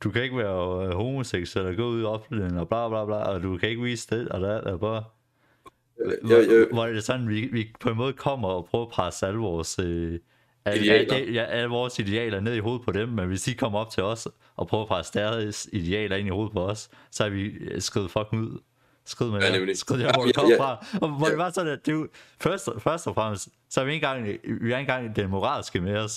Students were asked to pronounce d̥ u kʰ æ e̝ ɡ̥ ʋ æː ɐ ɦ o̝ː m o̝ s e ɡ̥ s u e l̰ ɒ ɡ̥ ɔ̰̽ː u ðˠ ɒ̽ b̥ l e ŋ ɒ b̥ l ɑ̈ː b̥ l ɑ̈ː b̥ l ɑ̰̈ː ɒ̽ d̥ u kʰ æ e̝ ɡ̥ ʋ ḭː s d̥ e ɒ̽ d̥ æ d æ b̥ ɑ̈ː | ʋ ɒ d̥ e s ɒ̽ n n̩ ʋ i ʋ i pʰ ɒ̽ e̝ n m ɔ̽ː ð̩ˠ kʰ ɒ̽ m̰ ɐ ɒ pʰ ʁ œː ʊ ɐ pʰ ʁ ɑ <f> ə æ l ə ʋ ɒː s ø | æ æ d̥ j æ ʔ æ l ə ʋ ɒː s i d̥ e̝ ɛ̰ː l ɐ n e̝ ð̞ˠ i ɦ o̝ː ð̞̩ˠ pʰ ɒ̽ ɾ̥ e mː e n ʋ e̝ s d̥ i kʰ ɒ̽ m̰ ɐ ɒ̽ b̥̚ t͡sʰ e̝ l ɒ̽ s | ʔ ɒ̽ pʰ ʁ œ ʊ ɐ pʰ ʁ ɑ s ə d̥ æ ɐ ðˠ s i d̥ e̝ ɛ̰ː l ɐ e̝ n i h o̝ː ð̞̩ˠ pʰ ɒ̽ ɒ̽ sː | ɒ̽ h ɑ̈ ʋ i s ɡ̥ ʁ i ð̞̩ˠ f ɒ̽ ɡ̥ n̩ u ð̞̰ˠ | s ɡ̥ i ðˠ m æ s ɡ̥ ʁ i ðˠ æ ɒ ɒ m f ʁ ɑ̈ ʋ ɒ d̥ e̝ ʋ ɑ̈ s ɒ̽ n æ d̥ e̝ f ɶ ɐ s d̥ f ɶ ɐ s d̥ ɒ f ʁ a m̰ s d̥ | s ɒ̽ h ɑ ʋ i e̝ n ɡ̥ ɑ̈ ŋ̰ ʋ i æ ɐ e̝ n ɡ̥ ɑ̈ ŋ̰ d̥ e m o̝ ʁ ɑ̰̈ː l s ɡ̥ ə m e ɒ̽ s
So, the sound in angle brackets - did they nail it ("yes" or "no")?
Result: no